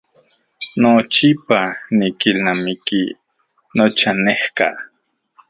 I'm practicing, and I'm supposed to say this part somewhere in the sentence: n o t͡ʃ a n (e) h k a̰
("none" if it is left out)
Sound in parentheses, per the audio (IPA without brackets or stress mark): e